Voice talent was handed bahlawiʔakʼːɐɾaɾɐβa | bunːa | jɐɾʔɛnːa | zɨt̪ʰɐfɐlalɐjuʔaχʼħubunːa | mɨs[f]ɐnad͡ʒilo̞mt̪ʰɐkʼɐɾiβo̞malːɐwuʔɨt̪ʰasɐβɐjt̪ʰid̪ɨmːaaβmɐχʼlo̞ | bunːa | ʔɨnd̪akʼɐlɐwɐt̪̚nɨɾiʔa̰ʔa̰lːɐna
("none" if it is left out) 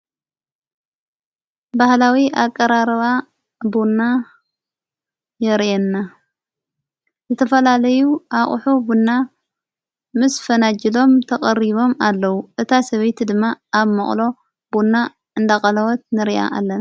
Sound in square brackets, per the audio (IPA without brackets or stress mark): f